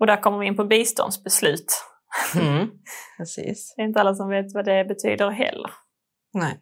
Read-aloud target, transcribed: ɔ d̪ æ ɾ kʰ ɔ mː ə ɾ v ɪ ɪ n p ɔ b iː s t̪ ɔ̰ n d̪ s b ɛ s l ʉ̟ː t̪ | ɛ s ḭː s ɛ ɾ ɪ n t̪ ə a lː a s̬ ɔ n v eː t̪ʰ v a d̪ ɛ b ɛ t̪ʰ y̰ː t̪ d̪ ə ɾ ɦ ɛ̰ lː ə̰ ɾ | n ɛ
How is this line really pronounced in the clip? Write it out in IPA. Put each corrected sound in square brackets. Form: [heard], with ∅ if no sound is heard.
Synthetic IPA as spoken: ɔ d̪ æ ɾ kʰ ɔ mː ə ɾ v ɪ ɪ n p ɔ b iː s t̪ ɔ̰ n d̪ s b ɛ s l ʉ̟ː t̪ | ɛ s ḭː s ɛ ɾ ɪ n t̪ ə a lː a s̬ ɔ [m] v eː [t̪] v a d̪ ɛ b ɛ t̪ʰ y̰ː [∅] d̪ ə ɾ ɦ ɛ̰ lː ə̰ ɾ | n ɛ